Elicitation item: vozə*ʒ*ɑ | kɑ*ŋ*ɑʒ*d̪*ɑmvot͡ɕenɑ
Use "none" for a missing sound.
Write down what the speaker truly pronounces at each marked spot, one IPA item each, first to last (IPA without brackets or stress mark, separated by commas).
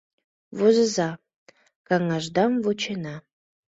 z, ŋ, d̪